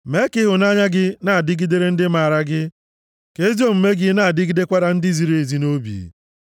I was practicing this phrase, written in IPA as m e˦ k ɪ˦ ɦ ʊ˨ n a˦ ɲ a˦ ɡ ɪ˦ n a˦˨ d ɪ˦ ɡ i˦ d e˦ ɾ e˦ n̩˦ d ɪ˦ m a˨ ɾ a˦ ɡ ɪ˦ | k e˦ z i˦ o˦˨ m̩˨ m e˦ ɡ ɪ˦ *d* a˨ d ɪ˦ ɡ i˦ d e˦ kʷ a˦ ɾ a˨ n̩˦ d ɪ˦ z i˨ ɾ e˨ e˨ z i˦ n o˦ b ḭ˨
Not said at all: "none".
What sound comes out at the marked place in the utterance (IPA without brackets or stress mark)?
n